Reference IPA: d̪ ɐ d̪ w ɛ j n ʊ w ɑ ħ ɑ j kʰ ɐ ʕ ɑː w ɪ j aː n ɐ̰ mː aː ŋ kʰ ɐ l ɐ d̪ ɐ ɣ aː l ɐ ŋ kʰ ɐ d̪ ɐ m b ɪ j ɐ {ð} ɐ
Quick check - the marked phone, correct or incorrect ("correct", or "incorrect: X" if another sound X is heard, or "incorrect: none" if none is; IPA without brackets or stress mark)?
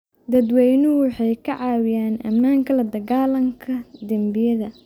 correct